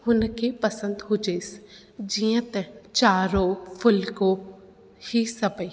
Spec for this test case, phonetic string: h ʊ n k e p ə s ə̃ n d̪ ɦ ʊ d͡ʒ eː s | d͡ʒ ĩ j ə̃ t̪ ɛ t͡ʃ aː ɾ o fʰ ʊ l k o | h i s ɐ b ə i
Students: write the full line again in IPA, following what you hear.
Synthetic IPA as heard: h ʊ n k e p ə s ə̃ n d̪ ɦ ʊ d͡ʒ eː s | d͡ʒ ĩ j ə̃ t̪ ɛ t͡ʃ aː ɾ o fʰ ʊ l k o | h i s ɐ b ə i